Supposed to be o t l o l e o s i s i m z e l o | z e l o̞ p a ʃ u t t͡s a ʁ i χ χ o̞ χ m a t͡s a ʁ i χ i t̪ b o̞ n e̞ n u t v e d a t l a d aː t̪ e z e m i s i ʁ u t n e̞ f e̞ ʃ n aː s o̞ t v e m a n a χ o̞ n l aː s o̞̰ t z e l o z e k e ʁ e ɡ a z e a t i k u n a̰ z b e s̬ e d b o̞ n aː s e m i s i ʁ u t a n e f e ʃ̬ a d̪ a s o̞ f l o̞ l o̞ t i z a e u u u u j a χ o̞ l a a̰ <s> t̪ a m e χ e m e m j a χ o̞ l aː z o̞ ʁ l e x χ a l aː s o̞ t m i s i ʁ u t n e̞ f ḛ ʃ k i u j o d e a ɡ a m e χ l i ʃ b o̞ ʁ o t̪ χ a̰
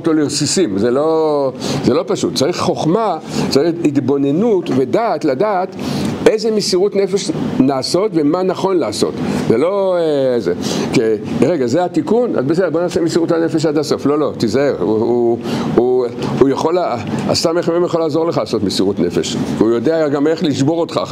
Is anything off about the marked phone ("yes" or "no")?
no